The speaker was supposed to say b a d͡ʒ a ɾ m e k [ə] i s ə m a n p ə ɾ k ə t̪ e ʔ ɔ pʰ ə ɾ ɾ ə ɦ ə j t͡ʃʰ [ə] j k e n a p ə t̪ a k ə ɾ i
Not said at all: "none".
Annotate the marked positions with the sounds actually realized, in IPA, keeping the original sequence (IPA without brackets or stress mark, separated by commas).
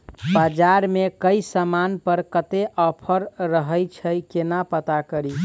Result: ə, ə